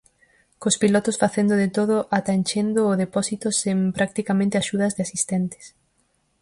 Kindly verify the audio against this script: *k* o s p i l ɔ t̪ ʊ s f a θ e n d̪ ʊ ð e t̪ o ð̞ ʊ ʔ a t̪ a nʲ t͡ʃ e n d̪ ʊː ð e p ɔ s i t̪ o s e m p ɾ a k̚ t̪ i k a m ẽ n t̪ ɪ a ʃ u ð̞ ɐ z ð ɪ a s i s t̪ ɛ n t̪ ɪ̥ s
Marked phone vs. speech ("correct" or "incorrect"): correct